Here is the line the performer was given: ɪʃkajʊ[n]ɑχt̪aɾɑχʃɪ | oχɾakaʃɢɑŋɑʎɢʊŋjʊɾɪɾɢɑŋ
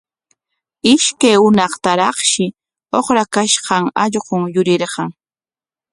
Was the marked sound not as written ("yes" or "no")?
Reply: no